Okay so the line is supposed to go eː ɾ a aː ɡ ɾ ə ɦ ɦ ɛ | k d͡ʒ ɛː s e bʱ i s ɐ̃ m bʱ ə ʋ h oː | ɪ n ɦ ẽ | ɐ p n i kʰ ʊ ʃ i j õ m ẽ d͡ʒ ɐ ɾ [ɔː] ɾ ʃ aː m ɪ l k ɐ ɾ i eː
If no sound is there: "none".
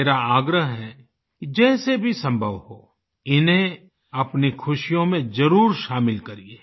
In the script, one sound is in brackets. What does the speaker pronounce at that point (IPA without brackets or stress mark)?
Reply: uː